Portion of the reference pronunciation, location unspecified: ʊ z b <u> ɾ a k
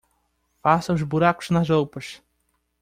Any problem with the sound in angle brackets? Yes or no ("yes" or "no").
no